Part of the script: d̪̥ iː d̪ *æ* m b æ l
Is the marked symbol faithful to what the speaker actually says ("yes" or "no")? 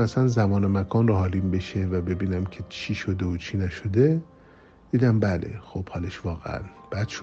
yes